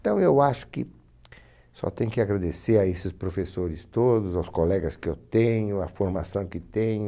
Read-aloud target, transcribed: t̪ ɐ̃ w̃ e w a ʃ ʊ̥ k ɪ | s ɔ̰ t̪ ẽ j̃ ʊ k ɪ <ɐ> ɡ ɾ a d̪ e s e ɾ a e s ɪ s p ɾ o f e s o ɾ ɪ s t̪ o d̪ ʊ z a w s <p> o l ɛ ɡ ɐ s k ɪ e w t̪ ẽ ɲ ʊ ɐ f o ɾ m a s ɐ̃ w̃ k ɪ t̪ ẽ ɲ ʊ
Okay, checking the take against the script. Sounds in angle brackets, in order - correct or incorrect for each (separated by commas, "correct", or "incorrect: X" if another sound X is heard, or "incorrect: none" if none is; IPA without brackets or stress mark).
incorrect: a, incorrect: k